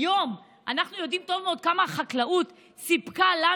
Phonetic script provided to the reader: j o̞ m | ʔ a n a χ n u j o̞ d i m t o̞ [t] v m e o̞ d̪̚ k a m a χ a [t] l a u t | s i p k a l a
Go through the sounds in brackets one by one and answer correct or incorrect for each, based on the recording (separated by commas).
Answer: incorrect, incorrect